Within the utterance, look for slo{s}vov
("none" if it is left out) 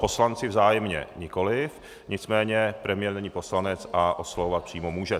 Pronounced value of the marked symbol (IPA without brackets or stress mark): none